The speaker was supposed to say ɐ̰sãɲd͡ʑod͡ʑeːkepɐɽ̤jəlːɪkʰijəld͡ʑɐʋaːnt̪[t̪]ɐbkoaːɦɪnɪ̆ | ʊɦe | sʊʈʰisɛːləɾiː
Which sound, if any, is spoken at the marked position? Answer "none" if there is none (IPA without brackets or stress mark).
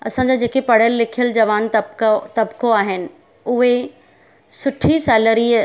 t̪